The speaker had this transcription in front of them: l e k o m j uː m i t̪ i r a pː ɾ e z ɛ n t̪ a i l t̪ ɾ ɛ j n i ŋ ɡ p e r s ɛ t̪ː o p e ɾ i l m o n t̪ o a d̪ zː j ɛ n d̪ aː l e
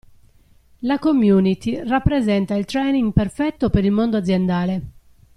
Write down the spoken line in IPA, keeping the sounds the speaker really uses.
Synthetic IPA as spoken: l a k o m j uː n i t̪ i r a pː ɾ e z ɛ n t̪ a i l t̪ ɾ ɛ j n i ŋ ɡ p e r f ɛ t̪ː o p e ɾ i l m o n d̪ o a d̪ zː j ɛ n d̪ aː l e